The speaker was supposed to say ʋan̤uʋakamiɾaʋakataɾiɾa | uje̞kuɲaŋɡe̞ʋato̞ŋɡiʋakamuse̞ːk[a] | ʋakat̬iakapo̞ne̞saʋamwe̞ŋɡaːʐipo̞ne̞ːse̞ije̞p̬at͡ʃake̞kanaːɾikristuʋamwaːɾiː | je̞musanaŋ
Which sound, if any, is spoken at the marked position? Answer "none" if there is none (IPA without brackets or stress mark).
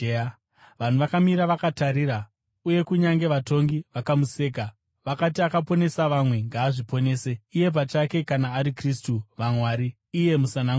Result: a